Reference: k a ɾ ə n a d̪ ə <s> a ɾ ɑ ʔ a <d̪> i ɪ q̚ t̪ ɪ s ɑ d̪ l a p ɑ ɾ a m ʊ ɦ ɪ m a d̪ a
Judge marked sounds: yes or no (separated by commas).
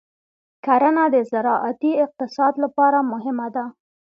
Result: no, no